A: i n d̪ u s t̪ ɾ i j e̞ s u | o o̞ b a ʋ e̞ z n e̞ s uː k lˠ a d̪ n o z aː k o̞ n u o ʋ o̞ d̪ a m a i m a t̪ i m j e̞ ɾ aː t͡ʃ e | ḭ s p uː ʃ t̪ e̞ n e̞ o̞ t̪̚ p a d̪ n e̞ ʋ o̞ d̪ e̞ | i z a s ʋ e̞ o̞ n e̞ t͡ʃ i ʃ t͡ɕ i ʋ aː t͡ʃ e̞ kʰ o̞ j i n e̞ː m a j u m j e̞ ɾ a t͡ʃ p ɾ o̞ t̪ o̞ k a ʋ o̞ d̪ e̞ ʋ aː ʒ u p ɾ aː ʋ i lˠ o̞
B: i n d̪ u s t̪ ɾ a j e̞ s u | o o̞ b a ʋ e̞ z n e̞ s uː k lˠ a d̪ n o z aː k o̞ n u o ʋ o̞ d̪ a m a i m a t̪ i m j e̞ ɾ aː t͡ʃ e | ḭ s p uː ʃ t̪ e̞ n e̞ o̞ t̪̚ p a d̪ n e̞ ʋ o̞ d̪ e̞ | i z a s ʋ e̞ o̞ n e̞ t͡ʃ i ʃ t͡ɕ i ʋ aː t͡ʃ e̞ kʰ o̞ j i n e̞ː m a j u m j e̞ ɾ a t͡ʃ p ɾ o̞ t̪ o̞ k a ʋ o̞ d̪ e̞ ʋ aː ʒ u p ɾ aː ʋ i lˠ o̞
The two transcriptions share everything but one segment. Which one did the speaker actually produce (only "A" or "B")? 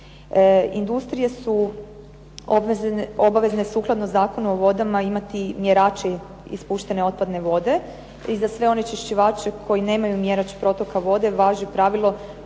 A